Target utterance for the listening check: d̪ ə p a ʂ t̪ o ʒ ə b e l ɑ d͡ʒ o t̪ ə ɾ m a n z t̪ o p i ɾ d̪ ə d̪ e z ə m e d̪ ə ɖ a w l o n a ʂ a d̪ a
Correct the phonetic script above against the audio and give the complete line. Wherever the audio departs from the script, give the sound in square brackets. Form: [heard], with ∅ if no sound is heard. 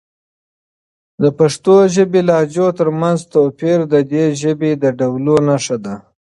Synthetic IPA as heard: d̪ ə p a ʂ t̪ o ʒ ə b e l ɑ d͡ʒ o t̪ ə ɾ m a n z t̪ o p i ɾ d̪ ə d̪ e [ʒ] ə [b] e d̪ ə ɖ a w l o n a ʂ a d̪ a